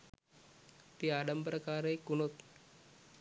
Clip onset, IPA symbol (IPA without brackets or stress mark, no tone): t̪